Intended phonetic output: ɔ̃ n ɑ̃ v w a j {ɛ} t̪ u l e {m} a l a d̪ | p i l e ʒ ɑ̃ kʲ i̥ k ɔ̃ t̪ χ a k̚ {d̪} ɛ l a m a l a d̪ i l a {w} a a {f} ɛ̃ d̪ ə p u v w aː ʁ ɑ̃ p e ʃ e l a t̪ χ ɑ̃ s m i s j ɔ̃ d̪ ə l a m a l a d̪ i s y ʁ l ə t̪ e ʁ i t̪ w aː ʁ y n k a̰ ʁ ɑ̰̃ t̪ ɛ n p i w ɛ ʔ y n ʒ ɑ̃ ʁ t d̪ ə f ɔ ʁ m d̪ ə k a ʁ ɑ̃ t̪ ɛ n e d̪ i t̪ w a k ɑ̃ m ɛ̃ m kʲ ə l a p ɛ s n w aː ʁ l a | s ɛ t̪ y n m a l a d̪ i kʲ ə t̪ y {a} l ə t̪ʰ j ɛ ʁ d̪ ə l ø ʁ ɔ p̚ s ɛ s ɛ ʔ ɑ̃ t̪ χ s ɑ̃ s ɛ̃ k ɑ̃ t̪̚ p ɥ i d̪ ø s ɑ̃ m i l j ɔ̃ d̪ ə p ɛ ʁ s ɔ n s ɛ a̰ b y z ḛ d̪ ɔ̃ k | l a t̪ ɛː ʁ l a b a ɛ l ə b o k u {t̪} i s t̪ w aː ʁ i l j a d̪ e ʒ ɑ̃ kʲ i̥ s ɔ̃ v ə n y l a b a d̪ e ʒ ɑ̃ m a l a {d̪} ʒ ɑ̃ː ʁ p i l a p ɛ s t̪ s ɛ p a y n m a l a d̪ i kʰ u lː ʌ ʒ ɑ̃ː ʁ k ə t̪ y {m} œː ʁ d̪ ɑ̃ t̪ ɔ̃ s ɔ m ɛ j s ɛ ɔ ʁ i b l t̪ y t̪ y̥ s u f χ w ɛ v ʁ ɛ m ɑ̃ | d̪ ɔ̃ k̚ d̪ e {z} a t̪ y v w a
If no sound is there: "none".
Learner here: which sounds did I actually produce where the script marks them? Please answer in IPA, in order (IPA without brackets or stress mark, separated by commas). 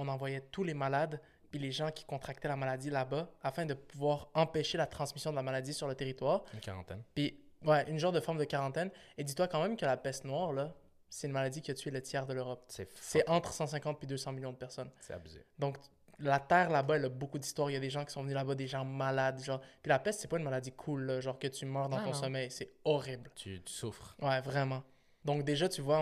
ɛ, m, t̪, b, f, ɛ, d̪, d̪, m, ʒ